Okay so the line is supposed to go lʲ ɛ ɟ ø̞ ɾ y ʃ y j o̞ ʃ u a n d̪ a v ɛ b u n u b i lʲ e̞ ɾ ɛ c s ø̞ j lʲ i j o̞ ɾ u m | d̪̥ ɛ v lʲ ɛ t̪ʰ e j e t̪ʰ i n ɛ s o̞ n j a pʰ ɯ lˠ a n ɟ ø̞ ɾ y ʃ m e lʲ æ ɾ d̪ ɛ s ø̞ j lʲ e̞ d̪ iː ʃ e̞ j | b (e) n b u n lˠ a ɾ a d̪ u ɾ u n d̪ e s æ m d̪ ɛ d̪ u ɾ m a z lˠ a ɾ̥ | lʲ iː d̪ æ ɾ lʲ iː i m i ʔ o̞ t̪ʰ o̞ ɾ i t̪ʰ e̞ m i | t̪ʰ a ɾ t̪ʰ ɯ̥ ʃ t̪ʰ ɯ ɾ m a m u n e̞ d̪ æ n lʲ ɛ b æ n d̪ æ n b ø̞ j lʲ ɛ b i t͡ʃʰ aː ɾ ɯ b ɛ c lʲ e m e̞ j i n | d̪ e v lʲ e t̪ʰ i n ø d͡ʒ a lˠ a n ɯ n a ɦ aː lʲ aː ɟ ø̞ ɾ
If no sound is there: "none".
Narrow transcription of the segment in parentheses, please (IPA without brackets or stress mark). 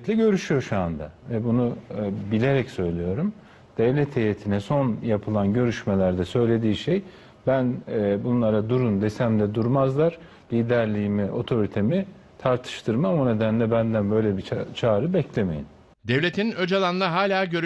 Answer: æ